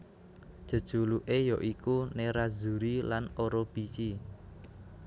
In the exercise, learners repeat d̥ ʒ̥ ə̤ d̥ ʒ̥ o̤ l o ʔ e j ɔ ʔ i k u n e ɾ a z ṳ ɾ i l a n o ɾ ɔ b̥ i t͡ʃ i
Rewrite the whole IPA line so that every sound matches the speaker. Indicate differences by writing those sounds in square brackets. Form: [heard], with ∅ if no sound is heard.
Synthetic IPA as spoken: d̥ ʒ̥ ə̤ d̥ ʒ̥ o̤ l [u] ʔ e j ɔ ʔ i k u n e ɾ a z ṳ ɾ i l a n o ɾ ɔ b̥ i t͡ʃ i